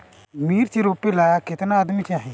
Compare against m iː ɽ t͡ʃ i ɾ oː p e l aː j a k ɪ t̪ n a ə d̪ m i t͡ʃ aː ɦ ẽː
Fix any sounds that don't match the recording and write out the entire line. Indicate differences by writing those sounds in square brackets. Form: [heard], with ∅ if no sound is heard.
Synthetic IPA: m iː [ɾ] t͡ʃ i ɾ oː p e l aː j a k ɪ t̪ n a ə d̪ m i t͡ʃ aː ɦ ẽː